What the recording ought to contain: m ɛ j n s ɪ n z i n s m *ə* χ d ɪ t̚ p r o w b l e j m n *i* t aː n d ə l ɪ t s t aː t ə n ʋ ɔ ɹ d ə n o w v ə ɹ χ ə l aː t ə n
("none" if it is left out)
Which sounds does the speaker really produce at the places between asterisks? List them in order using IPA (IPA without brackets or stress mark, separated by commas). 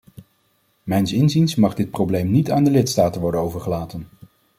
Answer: ɑ, i